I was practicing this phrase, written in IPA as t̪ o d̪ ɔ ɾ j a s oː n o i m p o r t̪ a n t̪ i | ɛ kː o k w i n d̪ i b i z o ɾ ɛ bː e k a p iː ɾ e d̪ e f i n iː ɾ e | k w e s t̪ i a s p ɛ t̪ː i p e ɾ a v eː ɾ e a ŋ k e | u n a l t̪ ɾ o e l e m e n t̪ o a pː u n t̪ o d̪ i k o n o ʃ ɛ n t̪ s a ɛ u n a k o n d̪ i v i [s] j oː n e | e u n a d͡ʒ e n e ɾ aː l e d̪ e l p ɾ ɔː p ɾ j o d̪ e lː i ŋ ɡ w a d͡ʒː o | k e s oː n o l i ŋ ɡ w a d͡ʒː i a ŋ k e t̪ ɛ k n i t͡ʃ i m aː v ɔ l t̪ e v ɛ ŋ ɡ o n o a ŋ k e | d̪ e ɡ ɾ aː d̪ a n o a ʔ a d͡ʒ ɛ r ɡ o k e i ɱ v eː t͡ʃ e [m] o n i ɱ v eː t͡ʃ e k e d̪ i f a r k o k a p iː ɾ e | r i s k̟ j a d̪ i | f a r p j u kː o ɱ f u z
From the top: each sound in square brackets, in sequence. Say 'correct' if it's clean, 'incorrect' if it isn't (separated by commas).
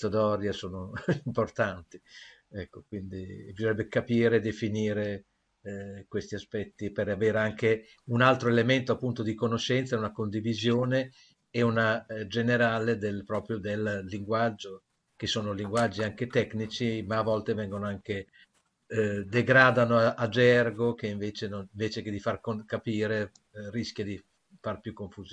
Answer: incorrect, incorrect